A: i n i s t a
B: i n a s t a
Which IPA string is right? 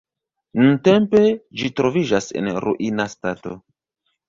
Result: B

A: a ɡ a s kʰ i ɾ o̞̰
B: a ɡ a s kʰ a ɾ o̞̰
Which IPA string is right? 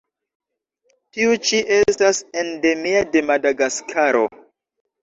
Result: B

